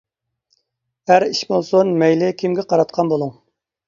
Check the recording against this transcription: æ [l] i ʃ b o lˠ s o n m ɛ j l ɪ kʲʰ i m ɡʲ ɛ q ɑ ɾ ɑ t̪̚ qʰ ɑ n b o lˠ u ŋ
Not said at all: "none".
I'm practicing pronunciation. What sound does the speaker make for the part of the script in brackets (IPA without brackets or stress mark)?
ɾ